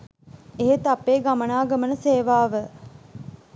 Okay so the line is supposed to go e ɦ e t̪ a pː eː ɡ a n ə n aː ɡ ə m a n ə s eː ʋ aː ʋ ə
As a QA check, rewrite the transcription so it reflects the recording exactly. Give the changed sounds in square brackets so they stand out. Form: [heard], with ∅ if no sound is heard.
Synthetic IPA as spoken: e ɦ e t̪ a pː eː ɡ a [m] ə n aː ɡ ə m [ə] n ə s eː ʋ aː ʋ ə